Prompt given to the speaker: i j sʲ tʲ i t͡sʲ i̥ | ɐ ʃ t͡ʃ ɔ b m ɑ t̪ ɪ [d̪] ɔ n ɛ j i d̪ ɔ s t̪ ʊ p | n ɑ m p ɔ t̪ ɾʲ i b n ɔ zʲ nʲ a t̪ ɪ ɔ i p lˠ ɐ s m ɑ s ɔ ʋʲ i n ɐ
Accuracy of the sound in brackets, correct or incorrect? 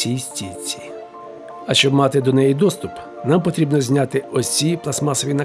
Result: correct